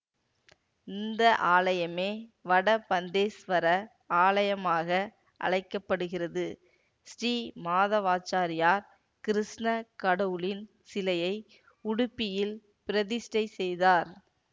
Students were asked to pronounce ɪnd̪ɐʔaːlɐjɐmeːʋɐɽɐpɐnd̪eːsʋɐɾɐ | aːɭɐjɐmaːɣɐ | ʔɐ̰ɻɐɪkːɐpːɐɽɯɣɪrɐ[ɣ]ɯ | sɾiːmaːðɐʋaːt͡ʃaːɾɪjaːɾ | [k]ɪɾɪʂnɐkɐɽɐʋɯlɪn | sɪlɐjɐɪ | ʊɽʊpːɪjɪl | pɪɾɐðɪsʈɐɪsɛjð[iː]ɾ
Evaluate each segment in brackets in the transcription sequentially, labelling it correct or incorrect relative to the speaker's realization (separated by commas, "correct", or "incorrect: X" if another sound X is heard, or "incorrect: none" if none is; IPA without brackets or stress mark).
incorrect: ð, correct, incorrect: aː